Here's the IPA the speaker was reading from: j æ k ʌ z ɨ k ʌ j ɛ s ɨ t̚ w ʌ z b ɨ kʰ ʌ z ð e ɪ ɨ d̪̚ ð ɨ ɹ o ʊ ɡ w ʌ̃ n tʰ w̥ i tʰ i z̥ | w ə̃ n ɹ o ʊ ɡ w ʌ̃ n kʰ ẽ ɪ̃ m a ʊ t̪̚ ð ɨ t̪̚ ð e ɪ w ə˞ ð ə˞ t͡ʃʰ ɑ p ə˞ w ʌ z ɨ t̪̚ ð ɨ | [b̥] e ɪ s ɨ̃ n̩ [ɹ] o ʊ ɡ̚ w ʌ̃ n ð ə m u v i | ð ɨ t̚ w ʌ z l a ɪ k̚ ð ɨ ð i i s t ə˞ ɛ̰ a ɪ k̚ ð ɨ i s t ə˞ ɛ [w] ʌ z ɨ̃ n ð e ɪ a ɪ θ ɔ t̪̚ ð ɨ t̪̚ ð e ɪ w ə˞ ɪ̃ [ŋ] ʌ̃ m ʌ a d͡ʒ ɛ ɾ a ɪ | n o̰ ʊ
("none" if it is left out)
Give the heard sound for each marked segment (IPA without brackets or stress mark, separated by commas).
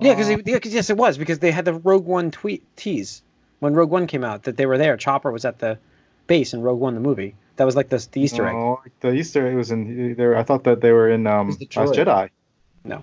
b̥, ɹ, w, n